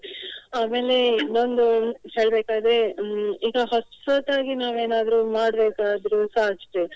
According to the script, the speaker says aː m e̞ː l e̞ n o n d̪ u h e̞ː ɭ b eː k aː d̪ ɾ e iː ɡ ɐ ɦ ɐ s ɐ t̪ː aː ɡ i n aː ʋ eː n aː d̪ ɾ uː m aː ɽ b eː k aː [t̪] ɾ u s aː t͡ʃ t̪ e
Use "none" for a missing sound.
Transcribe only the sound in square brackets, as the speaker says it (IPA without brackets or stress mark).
d̪